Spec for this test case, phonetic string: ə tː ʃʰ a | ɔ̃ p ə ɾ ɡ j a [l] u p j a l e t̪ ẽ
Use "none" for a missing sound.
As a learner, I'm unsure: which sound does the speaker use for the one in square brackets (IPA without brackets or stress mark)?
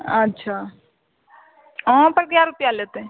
ɾ